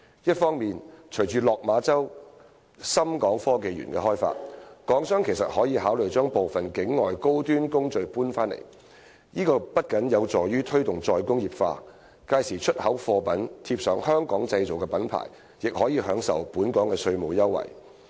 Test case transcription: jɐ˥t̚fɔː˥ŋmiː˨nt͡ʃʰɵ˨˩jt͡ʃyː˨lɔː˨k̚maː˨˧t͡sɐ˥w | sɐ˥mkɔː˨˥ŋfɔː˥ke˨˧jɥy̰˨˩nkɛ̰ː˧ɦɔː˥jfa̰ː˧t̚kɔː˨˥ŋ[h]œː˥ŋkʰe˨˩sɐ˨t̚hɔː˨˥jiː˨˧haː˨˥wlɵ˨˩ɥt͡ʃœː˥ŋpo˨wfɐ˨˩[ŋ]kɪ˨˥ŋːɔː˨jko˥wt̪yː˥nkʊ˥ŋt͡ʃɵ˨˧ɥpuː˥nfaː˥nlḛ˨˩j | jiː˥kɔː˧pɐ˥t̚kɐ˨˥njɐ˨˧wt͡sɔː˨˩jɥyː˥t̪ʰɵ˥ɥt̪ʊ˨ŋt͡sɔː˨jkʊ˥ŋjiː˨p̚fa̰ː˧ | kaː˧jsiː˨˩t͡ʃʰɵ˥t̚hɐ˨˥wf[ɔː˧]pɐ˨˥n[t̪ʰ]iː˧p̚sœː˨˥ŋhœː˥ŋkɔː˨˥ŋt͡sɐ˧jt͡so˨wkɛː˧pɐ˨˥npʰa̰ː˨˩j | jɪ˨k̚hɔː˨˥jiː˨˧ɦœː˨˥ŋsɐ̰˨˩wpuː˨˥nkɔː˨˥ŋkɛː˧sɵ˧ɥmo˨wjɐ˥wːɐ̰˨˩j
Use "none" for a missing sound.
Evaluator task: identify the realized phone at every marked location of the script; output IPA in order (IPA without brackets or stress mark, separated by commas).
s, n, ɔː˧, t̪ʰ